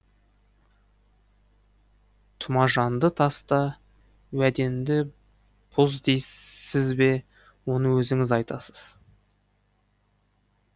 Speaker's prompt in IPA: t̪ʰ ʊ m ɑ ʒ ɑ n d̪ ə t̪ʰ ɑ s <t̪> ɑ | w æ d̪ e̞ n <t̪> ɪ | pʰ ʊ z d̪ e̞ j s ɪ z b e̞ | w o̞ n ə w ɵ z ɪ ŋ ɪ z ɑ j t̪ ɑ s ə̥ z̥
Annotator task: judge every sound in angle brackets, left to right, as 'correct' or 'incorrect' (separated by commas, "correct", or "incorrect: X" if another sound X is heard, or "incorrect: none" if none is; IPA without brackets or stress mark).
correct, incorrect: d̪